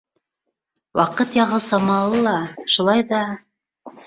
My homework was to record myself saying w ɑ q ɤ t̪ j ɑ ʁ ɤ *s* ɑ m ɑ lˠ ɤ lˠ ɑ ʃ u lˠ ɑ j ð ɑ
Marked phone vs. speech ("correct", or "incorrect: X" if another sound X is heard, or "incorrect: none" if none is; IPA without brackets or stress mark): correct